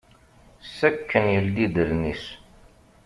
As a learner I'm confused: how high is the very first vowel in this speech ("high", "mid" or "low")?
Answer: low